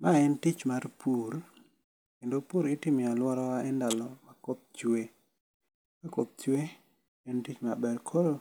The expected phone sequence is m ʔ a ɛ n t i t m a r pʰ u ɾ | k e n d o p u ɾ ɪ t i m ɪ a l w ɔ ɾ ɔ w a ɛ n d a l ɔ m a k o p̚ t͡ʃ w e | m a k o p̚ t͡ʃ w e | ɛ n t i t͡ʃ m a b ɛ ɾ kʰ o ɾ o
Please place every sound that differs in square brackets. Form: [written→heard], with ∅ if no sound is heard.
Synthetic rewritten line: m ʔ a ɛ n t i [t→t͡ʃ] m a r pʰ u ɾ | k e n d o p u ɾ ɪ t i m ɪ a l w ɔ ɾ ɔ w a ɛ n d a l ɔ m a k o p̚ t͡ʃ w e | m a k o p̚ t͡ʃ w e | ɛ n t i t͡ʃ m a b ɛ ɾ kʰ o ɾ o

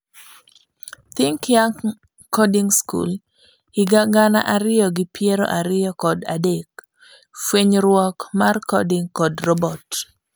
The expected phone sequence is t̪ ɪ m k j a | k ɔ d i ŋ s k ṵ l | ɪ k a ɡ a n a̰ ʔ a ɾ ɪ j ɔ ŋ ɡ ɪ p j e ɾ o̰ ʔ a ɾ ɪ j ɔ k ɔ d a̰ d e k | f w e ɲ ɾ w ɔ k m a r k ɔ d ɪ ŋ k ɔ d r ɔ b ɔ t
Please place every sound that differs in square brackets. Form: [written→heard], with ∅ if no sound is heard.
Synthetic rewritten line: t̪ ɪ [m→ŋ] k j a | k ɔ d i ŋ s k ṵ l | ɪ [k→ɡ] a ɡ a n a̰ ʔ a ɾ ɪ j ɔ [ŋ→∅] ɡ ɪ p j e ɾ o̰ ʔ a ɾ ɪ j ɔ k ɔ d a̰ d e k | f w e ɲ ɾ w ɔ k m a r k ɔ d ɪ ŋ k ɔ d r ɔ b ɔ t

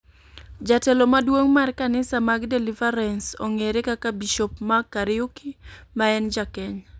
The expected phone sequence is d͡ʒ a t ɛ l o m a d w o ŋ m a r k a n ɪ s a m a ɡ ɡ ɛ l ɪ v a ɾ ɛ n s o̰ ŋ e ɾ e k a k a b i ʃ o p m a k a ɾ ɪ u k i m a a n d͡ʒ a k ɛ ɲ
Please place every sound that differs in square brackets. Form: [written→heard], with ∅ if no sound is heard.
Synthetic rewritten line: d͡ʒ a t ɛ l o m a d w o ŋ m a r k a n ɪ s a m a ɡ [ɡ→d] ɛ l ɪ v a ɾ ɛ n s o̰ ŋ e ɾ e k a k a b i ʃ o p m a k a ɾ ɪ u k i m a [a→ɛ] n d͡ʒ a k ɛ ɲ

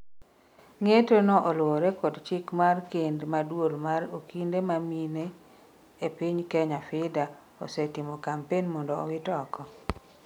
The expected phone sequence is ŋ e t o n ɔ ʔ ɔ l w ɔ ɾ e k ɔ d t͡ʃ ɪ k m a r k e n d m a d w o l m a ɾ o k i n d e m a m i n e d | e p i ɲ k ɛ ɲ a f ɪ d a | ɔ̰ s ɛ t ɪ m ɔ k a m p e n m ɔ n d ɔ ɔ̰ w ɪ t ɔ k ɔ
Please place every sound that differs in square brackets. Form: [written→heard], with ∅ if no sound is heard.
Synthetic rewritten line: ŋ e t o n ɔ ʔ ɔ l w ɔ ɾ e k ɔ d t͡ʃ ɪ k m a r k e n d m a d w o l m a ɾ o k i n d e m a m i n e [d→∅] | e p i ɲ k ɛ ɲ a f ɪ d a | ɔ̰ s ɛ t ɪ m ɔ k a m p e n m ɔ n d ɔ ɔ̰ w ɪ t ɔ k ɔ

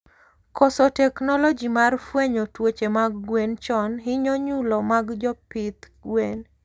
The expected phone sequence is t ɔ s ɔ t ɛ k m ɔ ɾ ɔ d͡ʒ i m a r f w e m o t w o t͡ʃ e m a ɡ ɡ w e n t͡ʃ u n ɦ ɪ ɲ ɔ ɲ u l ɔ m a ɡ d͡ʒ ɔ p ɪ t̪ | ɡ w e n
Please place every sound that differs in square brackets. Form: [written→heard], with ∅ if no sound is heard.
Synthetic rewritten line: [t→k] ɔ s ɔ t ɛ k [m→n] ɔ [ɾ→l] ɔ d͡ʒ i m a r f w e [m→ɲ] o t w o t͡ʃ e m a ɡ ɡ w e n t͡ʃ [u→ɔ] n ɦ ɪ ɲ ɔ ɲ u l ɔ m a ɡ d͡ʒ ɔ p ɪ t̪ | ɡ w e n

